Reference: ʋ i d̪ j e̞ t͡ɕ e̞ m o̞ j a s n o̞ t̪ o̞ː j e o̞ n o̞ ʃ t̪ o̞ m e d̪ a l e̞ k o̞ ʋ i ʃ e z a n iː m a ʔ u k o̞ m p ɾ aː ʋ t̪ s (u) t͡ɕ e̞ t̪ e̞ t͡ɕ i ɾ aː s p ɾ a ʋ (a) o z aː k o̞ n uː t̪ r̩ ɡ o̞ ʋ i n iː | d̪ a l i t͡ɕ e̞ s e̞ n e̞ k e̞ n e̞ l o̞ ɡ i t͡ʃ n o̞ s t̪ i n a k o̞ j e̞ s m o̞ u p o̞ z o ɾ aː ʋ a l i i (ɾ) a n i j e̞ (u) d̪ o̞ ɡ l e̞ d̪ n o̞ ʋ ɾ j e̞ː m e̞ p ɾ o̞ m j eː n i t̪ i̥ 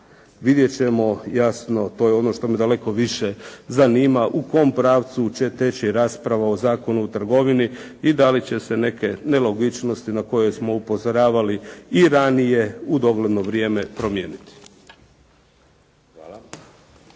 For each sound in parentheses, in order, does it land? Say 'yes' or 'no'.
yes, yes, yes, yes

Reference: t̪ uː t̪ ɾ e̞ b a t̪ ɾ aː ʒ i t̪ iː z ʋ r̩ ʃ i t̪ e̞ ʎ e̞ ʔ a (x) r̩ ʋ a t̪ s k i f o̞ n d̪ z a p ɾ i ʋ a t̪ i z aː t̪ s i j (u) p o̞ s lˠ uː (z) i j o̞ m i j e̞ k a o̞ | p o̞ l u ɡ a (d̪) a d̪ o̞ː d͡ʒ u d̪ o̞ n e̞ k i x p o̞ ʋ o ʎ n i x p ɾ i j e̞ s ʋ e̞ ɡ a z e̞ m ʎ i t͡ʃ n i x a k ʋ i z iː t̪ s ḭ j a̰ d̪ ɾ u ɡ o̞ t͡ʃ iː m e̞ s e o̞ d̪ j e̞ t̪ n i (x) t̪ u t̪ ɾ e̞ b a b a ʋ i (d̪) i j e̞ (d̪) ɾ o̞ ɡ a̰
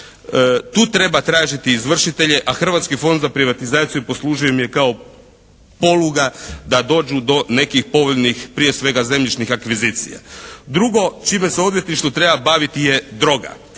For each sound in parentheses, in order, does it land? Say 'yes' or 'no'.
yes, yes, no, yes, no, no, yes

